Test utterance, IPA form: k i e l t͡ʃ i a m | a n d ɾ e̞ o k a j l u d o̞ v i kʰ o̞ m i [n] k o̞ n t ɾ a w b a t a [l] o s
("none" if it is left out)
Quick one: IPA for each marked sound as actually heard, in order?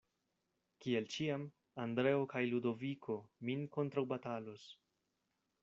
n, l

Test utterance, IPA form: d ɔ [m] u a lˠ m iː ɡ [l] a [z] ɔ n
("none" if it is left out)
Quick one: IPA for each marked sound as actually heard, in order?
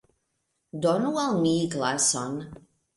n, l, s

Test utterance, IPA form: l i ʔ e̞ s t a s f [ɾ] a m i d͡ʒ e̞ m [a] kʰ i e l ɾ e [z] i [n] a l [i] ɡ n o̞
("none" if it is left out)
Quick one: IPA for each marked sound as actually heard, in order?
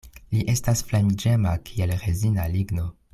l, a, z, n, i

